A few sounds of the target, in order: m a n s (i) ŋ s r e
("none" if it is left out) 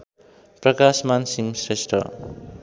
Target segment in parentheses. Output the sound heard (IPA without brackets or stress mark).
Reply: i